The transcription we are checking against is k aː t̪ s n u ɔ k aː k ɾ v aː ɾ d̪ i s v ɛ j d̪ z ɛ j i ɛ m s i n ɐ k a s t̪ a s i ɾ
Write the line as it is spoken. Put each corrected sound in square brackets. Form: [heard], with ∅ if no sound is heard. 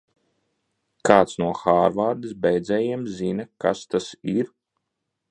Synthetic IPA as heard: k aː t̪ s n u ɔ [x] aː [∅] ɾ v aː ɾ d̪ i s [b] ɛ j d̪ z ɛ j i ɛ m [z] i n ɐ k a s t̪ a s i ɾ